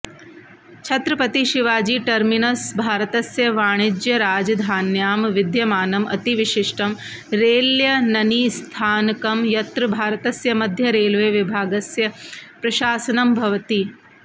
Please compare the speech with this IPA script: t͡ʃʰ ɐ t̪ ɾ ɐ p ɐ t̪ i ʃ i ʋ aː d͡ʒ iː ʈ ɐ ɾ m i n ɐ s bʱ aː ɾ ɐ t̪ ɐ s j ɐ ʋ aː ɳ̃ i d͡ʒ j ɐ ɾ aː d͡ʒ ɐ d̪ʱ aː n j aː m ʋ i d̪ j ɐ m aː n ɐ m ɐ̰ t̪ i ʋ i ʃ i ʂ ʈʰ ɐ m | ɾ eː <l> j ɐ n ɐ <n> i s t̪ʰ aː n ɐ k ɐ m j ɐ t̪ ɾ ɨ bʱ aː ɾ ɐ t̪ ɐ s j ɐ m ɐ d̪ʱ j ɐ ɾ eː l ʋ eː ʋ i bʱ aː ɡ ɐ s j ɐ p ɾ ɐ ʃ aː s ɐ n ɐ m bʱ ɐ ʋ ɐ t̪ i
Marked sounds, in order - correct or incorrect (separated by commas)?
correct, correct